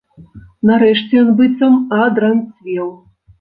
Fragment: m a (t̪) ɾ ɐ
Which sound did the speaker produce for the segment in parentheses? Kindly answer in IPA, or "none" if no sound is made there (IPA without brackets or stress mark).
d̪